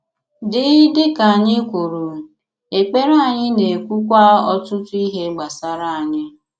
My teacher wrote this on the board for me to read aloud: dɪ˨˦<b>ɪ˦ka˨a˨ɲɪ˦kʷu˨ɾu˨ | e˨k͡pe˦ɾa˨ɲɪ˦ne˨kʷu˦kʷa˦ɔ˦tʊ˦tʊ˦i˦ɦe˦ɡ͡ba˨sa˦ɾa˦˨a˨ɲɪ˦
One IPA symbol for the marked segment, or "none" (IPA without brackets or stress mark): d